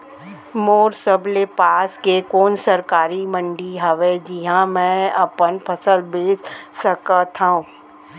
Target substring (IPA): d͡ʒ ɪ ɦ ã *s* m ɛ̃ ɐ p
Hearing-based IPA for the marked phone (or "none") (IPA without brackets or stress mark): none